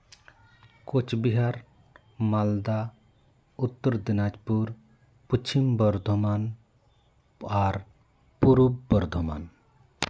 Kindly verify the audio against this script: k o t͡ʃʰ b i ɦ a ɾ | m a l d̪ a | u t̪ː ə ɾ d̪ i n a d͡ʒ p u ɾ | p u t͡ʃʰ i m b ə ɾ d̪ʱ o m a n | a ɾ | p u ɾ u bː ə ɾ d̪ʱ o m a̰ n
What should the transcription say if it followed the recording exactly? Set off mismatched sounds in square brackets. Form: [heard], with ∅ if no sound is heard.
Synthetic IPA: k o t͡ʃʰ b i ɦ a ɾ | m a l d̪ a | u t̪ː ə ɾ d̪ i n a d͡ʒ p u ɾ | p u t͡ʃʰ i m b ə ɾ d̪ʱ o m a n | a ɾ | p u ɾ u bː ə ɾ d̪ʱ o m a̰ n